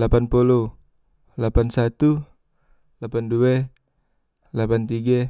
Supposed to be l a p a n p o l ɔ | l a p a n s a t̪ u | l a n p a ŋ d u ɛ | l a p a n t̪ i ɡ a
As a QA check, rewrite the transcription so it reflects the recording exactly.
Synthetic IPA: l a p a n p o l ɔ | l a p a n s a t̪ u | l a p a n d u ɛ | l a p a n t̪ i ɡ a